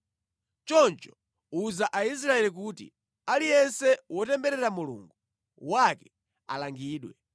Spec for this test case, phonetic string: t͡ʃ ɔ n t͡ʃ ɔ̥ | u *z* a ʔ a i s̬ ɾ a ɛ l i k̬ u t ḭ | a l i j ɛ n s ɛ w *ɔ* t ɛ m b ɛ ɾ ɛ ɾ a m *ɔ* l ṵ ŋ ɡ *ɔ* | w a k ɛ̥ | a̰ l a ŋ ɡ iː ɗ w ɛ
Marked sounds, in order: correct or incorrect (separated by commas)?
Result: correct, correct, incorrect, incorrect